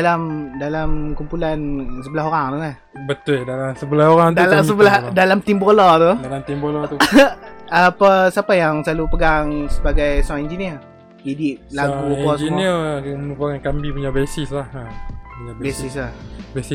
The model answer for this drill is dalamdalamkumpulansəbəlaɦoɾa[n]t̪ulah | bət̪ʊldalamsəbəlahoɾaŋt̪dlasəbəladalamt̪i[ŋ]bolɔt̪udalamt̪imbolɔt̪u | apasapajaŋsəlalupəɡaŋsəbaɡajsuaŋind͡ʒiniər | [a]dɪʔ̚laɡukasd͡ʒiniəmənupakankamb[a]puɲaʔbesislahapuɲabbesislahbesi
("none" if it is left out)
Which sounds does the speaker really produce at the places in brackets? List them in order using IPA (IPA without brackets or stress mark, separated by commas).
ŋ, m, i, i